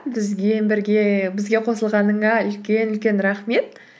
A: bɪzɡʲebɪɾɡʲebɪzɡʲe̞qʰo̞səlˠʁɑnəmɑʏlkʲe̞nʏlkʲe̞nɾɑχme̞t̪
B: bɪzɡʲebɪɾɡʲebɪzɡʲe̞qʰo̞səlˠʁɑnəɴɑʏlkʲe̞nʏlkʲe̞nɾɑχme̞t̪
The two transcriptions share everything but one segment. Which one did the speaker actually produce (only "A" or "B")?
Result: B